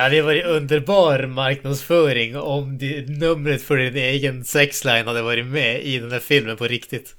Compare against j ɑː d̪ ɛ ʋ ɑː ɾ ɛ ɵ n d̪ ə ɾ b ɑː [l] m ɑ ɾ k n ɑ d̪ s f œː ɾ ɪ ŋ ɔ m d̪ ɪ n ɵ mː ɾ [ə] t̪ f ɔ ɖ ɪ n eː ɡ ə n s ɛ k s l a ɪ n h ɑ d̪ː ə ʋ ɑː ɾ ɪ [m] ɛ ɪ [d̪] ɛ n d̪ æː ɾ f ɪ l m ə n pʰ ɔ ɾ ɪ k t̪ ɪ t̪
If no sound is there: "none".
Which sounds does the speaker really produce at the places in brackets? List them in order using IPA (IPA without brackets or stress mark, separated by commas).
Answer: ɾ, ə, m, d̪